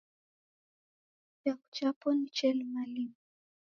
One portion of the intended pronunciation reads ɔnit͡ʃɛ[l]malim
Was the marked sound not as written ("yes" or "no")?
no